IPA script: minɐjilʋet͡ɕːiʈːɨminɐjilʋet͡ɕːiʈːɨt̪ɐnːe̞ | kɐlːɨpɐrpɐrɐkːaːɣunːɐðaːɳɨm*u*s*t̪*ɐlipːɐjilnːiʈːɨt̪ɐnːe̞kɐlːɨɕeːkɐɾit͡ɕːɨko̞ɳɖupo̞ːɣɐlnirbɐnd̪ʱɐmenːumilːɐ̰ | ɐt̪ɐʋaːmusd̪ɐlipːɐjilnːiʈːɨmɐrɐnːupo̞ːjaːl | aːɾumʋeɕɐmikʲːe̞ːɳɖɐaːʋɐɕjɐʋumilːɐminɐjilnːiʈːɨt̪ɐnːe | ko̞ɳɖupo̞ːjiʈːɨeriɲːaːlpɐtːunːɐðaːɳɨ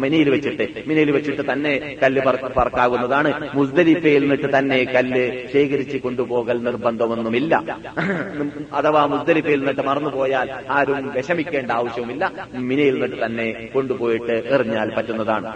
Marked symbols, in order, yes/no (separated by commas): yes, no